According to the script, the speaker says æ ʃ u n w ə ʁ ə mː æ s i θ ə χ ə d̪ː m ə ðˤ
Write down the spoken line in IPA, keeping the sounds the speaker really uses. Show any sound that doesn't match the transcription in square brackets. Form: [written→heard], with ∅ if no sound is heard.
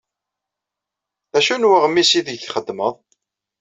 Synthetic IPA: æ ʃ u n w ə ʁ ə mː [æ→i] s i [θ→ð] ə χ ə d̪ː m ə ðˤ